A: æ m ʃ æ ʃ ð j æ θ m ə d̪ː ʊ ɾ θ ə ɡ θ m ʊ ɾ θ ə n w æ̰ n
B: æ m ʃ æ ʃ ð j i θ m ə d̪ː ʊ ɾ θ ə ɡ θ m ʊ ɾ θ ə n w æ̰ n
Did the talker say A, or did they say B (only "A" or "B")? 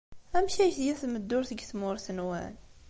A